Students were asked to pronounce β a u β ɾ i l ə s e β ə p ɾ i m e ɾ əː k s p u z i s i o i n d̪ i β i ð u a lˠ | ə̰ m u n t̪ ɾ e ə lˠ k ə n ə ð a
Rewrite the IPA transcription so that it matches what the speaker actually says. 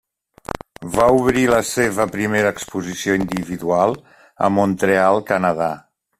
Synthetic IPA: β a u β ɾ i l ə s e β ə p ɾ i m e ɾ əː k s p u z i s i o i n d̪ i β i ð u a lˠ | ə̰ m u n t̪ ɾ e a lˠ k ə n ə ð a